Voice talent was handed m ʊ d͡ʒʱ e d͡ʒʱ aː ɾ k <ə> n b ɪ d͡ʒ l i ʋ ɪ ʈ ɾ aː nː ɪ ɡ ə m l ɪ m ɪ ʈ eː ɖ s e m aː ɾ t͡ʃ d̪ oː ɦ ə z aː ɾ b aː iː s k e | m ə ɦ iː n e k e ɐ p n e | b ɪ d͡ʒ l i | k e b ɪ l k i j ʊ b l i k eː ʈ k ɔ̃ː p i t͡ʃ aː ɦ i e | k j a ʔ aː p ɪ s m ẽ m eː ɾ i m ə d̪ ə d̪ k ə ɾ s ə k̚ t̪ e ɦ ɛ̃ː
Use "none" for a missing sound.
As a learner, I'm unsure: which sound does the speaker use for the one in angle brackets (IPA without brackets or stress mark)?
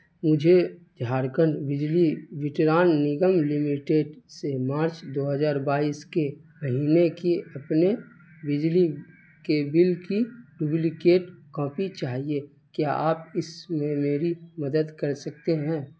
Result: ə